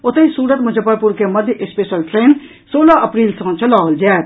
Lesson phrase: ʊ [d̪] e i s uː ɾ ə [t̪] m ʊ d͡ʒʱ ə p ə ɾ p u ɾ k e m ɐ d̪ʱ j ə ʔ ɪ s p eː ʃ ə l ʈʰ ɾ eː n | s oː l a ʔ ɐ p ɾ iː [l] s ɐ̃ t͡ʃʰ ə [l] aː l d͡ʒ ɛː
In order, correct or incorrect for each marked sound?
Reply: incorrect, correct, correct, correct

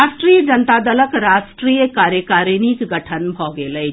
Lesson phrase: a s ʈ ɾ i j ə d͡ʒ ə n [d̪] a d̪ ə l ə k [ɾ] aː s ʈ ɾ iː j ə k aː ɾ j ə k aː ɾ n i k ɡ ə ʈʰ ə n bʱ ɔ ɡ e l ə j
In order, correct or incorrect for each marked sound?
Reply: incorrect, correct

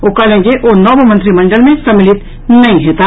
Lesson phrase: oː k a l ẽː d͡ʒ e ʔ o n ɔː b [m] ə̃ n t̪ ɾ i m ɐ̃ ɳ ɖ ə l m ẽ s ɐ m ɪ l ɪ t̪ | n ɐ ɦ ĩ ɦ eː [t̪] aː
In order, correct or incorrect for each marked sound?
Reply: correct, correct

